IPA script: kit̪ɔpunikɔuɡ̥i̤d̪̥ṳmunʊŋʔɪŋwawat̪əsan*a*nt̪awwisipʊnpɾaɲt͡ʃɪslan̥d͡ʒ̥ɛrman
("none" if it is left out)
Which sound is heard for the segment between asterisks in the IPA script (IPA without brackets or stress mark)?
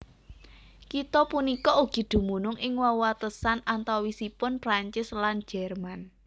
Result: a